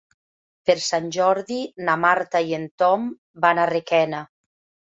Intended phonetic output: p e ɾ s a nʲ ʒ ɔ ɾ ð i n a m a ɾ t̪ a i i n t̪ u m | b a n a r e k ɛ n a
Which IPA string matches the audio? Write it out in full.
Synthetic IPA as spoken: p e ɾ s a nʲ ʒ ɔ ɾ ð i n a m a ɾ t̪ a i e n t̪ ɔ m | b a n a r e k ɛ n a